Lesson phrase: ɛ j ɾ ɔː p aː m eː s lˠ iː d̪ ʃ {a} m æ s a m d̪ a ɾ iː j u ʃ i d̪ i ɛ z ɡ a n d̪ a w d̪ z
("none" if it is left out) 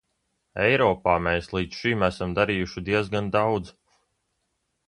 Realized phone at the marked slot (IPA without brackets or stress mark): i